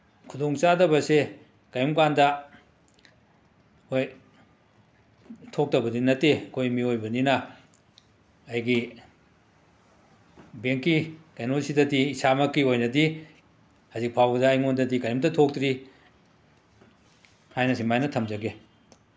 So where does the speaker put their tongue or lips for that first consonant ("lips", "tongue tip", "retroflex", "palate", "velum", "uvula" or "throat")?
velum